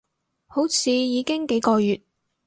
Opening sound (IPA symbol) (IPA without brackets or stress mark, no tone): h